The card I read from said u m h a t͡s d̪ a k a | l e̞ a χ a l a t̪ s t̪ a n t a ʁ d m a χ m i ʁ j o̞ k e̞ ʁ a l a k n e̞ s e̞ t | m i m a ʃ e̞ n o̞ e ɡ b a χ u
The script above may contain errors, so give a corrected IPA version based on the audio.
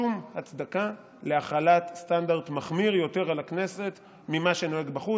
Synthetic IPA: u m h a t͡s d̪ a k a | l e̞ a χ a l a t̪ s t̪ a n d a ʁ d m a χ m i ʁ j o̞ t e̞ ʁ a l a k n e̞ s e̞ t | m i m a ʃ e̞ n o̞ e ɡ b a χ u